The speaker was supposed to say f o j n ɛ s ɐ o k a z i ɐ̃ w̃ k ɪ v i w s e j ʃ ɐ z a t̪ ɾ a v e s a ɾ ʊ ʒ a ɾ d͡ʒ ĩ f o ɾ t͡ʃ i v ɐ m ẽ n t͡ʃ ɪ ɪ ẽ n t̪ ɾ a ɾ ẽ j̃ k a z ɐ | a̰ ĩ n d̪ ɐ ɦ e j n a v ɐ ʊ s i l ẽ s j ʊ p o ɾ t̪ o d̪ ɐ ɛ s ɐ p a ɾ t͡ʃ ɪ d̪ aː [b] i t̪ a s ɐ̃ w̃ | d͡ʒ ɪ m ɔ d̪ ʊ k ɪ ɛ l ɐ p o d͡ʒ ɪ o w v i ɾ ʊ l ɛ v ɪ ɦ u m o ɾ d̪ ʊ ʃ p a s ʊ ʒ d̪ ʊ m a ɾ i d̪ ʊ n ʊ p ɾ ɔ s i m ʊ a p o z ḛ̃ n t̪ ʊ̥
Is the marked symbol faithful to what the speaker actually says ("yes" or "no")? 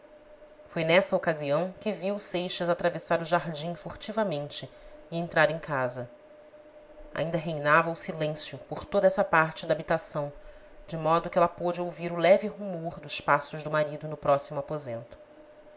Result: yes